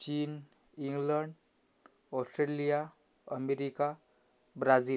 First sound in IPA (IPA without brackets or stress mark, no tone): t͡ɕ